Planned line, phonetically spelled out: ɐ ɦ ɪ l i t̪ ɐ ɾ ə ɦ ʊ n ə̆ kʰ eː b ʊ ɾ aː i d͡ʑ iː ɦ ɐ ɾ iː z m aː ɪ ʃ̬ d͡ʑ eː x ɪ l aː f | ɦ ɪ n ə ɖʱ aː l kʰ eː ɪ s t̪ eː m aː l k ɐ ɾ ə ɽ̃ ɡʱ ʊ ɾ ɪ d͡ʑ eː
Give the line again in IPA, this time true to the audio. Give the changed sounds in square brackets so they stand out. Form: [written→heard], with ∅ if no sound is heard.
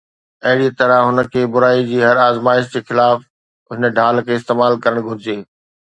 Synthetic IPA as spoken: ɐ ɦ ɪ [l→ɽ] i t̪ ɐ ɾ ə ɦ ʊ n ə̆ kʰ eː b ʊ ɾ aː i d͡ʑ iː ɦ ɐ ɾ [iː→aː] z m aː ɪ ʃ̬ d͡ʑ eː x ɪ l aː f | ɦ ɪ n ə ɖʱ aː l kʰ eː ɪ s t̪ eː m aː l k ɐ ɾ ə ɽ̃ ɡʱ ʊ ɾ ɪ d͡ʑ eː